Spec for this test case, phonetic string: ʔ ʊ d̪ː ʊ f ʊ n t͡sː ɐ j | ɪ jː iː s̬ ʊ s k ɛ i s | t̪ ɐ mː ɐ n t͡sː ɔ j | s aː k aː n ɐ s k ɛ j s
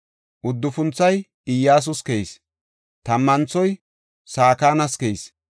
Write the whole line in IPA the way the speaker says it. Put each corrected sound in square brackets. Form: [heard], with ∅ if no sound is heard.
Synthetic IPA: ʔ ʊ d̪ː ʊ f ʊ n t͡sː ɐ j | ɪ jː [aː] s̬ ʊ s k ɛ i s | t̪ ɐ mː ɐ n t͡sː ɔ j | s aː k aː n ɐ s k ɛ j s